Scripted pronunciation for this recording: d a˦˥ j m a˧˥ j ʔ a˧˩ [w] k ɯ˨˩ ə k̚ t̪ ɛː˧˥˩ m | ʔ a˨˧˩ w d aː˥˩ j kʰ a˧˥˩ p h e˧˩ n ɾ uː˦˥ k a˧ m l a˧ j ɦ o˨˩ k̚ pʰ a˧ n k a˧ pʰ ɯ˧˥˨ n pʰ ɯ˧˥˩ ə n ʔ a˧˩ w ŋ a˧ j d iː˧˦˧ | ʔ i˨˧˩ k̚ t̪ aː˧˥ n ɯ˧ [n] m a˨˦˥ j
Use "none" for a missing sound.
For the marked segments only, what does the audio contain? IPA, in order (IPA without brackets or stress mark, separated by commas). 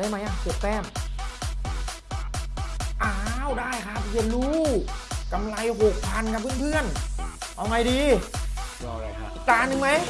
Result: none, ŋ